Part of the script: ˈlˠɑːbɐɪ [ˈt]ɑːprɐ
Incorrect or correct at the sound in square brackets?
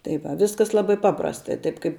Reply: incorrect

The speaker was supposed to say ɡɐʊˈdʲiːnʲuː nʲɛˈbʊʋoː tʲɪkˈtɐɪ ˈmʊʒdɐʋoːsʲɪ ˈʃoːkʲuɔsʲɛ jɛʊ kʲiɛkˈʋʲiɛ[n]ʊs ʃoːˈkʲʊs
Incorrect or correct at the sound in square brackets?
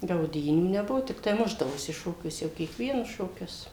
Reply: correct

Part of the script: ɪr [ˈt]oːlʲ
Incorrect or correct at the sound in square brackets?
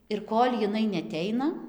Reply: incorrect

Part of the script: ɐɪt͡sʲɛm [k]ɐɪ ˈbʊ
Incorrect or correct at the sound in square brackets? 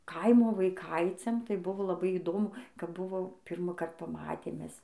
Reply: incorrect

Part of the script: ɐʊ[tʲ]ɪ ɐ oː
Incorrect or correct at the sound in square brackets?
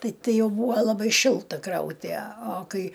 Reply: correct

